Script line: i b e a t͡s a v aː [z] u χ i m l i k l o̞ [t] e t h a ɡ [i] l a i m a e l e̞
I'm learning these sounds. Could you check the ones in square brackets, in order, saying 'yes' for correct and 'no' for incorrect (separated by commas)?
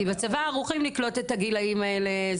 no, yes, yes